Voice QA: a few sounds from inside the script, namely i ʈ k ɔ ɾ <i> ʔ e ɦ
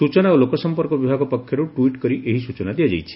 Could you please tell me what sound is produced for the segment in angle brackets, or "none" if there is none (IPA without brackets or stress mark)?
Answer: i